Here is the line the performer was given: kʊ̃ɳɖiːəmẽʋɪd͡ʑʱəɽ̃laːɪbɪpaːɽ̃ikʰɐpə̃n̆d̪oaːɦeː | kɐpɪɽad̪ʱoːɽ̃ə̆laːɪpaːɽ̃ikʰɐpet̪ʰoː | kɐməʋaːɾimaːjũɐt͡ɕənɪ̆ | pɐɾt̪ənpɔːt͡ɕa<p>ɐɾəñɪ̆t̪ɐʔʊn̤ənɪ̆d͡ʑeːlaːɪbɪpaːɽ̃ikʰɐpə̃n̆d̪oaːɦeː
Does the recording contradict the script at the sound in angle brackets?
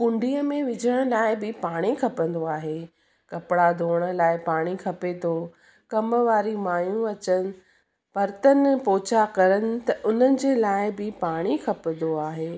yes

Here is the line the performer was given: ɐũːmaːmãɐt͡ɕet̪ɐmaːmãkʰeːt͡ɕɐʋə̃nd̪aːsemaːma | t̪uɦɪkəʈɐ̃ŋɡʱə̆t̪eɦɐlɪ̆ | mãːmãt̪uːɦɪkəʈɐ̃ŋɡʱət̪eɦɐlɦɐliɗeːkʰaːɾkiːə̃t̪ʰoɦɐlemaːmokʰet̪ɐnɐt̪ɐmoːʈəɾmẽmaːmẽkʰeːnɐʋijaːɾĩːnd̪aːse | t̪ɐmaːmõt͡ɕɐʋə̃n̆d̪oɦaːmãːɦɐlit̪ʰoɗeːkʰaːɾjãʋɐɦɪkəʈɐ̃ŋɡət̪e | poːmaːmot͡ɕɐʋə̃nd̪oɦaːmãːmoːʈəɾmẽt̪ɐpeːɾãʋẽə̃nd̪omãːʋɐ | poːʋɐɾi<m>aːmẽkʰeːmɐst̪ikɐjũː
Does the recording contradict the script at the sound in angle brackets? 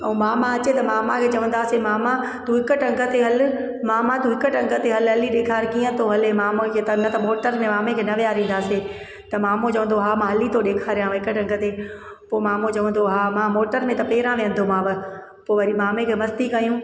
no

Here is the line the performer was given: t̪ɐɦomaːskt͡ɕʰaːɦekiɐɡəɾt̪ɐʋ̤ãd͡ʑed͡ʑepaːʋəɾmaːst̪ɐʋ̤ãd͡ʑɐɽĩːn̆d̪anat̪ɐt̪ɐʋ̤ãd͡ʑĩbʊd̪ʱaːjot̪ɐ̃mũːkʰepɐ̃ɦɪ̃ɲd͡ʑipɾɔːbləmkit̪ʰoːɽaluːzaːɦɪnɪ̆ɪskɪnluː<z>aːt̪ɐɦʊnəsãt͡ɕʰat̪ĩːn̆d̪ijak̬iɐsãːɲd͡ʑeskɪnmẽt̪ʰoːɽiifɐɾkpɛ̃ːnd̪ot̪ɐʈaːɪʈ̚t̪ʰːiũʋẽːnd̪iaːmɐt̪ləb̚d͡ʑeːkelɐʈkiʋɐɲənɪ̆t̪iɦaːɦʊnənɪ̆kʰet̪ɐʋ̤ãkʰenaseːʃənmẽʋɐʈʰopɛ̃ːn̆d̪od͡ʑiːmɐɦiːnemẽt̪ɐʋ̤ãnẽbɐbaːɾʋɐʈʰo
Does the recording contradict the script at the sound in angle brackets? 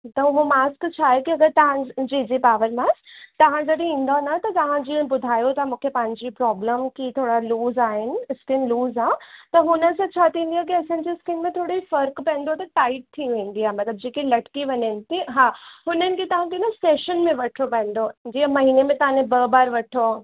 no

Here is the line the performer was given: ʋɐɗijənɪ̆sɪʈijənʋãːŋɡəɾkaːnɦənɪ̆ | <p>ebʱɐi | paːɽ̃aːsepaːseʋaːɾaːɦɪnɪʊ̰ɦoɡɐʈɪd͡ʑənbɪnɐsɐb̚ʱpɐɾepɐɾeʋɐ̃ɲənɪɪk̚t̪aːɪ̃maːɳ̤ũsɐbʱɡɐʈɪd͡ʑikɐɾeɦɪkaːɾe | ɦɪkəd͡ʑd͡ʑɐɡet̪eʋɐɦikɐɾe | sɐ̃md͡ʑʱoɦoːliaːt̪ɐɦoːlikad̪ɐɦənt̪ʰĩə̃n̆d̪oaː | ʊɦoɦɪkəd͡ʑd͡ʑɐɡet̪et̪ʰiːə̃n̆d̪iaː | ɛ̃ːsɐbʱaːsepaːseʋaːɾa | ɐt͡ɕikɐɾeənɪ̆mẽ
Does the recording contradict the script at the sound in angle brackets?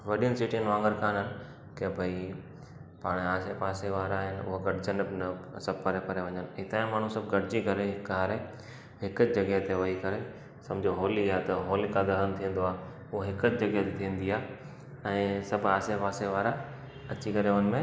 yes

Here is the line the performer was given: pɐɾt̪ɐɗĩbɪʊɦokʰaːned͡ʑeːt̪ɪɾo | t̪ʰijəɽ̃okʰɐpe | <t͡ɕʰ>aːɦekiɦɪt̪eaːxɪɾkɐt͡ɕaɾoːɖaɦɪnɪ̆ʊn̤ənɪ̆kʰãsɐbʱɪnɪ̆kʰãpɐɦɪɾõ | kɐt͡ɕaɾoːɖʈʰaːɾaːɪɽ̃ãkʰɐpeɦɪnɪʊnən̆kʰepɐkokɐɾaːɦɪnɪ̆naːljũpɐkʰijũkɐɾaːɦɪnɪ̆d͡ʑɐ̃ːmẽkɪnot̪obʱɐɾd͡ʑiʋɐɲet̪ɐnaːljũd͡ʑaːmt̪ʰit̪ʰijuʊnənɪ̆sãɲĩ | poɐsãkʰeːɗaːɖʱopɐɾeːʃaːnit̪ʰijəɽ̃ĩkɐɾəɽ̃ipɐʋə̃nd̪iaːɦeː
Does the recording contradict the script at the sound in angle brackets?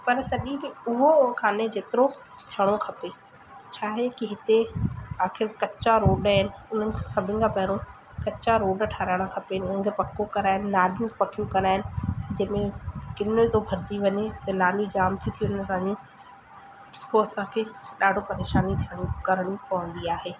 no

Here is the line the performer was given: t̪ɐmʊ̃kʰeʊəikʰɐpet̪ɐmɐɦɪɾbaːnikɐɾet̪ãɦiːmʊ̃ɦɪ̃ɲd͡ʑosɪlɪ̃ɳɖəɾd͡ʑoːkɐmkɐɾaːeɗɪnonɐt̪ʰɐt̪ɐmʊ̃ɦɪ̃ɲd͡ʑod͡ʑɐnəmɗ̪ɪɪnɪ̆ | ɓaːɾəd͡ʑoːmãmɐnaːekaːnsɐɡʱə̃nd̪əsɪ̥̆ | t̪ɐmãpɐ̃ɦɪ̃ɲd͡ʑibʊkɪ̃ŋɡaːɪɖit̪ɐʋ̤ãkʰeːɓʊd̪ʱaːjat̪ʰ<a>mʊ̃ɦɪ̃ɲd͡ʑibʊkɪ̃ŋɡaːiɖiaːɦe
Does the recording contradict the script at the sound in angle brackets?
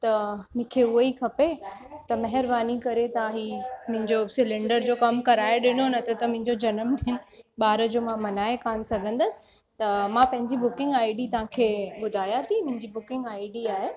yes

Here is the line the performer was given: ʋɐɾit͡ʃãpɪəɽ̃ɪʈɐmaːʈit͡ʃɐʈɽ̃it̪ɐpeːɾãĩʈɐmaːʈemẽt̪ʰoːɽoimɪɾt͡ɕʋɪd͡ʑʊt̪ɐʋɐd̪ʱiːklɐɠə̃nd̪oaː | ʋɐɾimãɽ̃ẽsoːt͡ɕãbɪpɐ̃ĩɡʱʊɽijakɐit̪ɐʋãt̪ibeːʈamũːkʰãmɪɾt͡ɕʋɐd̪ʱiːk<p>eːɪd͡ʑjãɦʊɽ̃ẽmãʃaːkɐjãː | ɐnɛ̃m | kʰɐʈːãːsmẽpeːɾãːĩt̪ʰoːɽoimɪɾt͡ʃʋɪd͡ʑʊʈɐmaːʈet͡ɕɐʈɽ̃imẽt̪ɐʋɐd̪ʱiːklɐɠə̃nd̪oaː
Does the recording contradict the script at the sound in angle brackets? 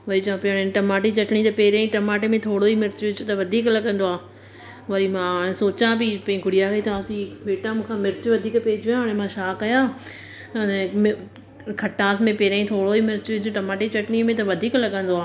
no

